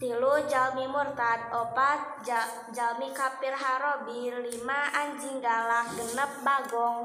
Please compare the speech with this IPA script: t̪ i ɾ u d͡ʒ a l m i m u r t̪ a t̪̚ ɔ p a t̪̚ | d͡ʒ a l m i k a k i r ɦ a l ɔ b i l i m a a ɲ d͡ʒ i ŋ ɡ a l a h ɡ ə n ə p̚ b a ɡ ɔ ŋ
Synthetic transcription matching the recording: t̪ i l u d͡ʒ a l m i m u r t̪ a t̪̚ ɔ p a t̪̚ | d͡ʒ a l m i k a p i r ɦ a ɾ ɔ b i l i m a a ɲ d͡ʒ i ŋ ɡ a l a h ɡ ə n ə p̚ b a ɡ ɔ ŋ